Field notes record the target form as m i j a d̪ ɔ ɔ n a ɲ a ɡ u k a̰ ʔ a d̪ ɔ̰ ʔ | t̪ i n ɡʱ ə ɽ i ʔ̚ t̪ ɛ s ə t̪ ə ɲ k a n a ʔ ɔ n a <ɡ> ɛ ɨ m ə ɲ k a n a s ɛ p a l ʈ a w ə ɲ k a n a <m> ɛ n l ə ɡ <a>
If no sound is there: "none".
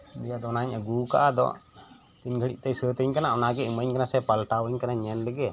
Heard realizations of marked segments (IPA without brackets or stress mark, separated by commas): ɡ, ɲ, ɛ